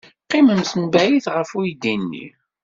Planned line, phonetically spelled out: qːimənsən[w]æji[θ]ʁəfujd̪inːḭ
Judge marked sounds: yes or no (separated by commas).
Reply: no, yes